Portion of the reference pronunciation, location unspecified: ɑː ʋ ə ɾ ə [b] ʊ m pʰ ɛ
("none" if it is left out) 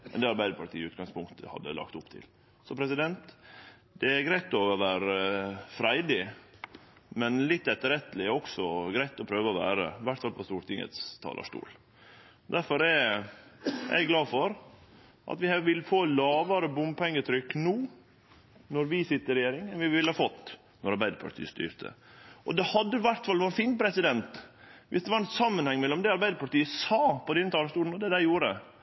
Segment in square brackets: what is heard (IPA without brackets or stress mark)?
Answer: b